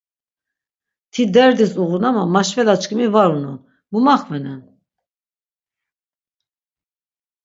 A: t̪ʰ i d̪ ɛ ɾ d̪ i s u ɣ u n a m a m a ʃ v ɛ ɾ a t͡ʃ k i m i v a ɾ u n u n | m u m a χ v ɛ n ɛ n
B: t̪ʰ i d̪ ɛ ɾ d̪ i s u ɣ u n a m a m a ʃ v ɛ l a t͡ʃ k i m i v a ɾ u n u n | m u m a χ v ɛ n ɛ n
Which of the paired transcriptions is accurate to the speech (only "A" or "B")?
B